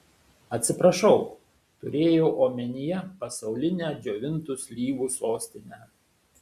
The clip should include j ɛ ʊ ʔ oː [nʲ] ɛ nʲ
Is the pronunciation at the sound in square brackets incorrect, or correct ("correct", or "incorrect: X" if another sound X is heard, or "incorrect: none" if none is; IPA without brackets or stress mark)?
incorrect: mʲ